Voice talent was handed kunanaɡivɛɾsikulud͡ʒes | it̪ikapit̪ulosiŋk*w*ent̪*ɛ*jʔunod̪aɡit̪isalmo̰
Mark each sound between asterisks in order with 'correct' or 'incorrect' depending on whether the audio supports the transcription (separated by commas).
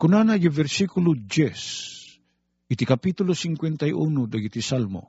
correct, incorrect